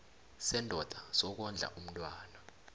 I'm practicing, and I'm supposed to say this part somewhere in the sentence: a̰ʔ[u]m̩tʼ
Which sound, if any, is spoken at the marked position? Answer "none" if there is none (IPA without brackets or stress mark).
u